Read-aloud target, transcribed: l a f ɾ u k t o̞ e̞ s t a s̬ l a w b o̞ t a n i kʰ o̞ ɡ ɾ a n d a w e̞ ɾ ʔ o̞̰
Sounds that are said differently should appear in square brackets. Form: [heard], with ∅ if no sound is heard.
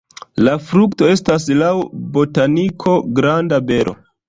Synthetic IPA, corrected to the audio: l a f ɾ u k t o̞ e̞ s t a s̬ l a w b o̞ t a n i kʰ o̞ ɡ ɾ a n d a [b] e̞ ɾ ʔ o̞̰